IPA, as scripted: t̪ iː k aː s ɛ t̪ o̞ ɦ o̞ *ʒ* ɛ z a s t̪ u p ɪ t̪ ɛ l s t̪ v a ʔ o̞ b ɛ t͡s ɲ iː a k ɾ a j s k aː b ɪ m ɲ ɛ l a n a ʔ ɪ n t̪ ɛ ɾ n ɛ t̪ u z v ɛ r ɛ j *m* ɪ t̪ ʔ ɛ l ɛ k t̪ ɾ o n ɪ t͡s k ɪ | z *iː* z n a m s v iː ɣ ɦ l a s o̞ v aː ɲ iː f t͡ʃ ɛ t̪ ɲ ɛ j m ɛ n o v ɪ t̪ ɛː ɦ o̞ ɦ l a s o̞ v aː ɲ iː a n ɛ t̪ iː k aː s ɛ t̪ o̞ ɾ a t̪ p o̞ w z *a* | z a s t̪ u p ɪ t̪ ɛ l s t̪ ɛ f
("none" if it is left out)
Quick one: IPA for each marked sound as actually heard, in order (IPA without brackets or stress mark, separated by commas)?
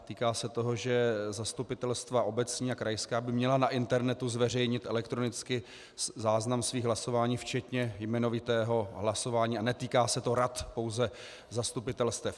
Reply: ʒ, ɲ, aː, ɛ